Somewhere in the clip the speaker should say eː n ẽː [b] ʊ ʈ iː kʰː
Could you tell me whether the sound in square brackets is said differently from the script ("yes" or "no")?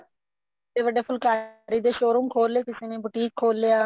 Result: no